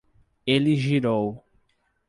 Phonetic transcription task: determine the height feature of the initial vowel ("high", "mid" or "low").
mid